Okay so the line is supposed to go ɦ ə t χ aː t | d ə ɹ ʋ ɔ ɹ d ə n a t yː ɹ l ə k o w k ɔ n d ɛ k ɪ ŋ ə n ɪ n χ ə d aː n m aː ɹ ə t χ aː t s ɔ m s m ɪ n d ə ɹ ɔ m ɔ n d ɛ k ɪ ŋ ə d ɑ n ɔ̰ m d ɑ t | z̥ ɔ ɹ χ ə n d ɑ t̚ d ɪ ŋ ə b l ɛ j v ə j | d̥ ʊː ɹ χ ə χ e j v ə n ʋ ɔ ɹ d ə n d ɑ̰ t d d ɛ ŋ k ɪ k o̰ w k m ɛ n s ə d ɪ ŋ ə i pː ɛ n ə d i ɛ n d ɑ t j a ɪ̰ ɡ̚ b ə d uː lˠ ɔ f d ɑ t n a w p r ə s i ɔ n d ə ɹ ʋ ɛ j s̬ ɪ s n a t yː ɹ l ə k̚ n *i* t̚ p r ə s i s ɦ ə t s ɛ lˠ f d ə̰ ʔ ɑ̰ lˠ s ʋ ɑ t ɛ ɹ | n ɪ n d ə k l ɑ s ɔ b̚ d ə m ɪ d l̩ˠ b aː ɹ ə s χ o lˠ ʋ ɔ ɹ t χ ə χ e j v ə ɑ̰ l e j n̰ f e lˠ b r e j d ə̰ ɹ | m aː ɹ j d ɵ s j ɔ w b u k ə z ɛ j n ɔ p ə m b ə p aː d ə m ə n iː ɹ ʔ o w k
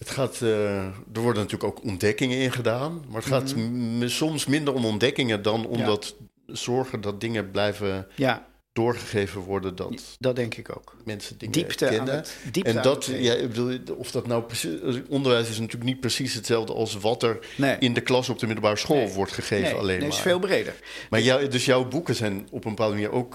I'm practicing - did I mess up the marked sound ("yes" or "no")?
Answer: no